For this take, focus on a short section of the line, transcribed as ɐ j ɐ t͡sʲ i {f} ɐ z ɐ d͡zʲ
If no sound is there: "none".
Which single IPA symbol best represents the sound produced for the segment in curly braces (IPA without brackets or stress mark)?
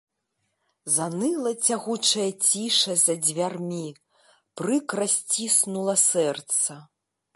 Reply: ʂ